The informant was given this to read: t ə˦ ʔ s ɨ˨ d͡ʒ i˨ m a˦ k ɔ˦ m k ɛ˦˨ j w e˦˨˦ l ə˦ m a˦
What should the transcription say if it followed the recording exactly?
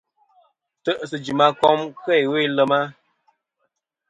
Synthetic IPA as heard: t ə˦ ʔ s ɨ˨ d͡ʒ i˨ m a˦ k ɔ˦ m k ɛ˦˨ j w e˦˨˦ l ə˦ m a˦